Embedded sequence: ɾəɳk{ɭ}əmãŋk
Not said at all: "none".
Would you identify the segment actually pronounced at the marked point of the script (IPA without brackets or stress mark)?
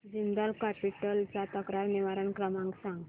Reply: ɾ